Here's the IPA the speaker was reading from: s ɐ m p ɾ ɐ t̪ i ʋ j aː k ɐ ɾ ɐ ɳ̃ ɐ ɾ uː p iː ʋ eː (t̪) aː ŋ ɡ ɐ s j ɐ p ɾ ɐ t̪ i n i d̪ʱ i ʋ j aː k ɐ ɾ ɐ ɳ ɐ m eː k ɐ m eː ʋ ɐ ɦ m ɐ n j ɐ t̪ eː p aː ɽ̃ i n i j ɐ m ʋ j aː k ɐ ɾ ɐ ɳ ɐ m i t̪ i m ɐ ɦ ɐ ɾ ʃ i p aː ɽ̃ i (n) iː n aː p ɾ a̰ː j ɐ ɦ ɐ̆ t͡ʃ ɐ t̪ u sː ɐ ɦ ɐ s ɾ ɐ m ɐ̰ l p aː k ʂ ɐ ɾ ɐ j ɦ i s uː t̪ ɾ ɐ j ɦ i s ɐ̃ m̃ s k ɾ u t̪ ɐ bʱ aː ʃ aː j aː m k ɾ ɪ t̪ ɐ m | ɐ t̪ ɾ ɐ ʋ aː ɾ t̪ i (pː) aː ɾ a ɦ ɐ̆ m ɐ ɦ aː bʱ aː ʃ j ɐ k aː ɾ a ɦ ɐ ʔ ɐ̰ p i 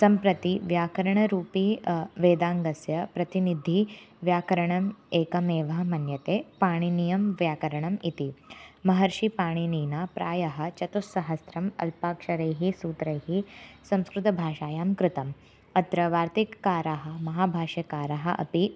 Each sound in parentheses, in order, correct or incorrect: incorrect, correct, incorrect

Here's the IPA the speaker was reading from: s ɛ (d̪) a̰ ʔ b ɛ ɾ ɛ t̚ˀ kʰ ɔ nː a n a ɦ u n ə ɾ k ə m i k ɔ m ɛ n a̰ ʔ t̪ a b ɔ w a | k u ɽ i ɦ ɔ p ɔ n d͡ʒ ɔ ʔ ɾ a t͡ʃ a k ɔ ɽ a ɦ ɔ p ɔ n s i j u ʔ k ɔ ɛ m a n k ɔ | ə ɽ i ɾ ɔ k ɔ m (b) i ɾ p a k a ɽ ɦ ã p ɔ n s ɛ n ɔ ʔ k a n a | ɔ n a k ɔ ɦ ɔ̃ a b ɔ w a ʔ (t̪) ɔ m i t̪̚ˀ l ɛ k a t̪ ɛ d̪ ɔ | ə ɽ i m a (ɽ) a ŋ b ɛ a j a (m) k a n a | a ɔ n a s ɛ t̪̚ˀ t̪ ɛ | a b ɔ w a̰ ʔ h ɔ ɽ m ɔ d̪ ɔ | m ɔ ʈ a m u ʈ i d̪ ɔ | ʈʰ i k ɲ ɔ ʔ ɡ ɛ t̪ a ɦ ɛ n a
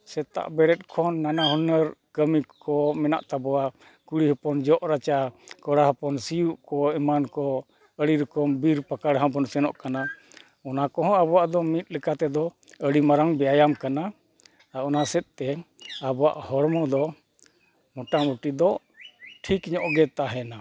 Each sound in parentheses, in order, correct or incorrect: incorrect, correct, incorrect, incorrect, correct

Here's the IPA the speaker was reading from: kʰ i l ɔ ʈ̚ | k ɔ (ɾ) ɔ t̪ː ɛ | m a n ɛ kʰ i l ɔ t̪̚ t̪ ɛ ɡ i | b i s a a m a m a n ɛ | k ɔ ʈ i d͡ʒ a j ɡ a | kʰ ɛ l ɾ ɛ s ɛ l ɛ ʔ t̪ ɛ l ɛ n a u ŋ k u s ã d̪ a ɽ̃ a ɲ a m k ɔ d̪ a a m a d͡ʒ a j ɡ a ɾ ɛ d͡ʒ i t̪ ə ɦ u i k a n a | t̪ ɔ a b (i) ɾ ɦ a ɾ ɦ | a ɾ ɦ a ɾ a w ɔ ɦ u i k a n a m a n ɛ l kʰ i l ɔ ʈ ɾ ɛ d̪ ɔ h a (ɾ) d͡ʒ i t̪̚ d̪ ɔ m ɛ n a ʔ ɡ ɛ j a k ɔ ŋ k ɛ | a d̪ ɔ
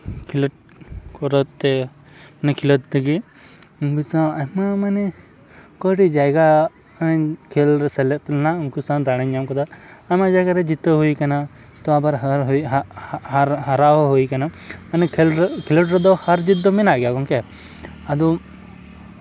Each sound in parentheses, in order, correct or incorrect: correct, incorrect, correct

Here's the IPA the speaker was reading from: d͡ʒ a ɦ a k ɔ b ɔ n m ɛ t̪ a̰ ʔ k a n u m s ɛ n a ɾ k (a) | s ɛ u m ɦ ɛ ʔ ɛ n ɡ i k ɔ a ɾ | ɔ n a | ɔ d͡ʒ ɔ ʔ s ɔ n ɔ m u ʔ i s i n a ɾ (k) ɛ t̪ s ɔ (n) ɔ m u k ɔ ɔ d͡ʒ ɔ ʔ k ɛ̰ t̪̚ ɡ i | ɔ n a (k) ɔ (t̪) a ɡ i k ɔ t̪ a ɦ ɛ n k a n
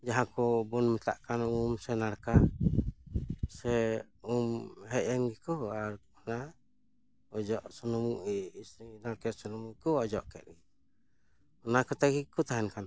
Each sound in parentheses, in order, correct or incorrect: correct, correct, correct, correct, correct

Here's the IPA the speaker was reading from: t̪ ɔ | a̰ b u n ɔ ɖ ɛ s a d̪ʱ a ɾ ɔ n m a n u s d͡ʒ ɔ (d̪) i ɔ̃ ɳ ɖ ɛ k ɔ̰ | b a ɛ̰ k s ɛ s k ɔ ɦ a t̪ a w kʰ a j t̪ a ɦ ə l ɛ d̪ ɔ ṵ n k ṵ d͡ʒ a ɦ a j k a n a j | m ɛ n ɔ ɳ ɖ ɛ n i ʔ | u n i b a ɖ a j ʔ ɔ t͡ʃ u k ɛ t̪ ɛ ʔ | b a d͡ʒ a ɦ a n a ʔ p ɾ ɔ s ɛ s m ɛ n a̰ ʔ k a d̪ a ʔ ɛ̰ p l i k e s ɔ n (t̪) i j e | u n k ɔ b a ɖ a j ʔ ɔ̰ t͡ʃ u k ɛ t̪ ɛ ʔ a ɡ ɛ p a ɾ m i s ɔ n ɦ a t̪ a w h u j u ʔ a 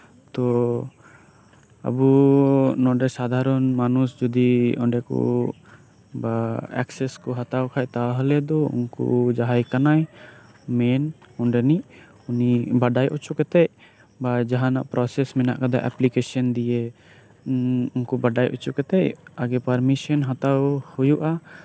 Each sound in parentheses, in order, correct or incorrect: correct, incorrect

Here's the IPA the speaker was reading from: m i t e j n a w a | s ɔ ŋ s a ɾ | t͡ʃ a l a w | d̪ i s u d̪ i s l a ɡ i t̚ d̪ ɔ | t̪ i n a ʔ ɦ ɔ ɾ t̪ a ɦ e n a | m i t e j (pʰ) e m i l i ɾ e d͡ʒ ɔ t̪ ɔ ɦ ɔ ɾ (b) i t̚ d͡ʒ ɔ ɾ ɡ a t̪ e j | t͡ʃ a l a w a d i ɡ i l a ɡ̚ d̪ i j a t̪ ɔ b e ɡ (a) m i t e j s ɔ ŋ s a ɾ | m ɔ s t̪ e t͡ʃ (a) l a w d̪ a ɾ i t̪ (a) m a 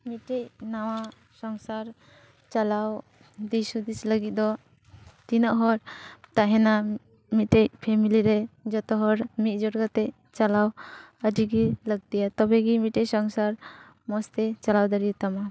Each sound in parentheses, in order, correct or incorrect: correct, incorrect, incorrect, correct, correct

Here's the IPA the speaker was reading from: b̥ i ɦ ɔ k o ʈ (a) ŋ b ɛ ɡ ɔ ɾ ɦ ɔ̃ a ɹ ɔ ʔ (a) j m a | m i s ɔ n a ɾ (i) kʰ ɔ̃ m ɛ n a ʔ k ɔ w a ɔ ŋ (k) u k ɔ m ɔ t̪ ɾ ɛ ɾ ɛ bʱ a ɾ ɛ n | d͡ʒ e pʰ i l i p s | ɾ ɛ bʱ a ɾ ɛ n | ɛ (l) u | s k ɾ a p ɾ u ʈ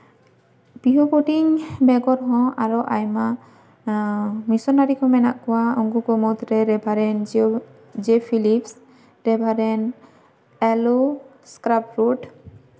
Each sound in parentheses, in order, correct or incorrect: incorrect, correct, correct, incorrect, correct

